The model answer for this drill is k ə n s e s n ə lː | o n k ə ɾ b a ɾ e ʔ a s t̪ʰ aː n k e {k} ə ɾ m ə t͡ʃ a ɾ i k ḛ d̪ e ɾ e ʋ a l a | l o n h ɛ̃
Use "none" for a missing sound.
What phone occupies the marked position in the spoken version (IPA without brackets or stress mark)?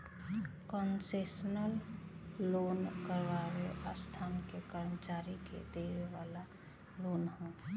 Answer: k